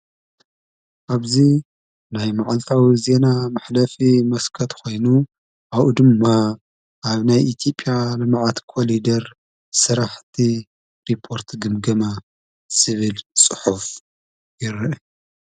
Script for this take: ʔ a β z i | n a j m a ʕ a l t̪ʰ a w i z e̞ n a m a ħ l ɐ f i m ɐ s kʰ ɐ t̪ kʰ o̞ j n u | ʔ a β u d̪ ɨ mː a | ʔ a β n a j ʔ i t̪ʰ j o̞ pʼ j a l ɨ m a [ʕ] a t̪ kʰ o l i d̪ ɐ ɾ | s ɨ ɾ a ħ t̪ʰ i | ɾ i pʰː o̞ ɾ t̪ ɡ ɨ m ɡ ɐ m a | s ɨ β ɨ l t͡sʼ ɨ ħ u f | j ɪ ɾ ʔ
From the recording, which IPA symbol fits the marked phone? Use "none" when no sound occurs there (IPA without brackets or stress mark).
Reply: ʕ